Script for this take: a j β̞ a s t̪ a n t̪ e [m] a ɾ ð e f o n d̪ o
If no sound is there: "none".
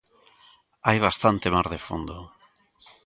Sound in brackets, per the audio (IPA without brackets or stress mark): m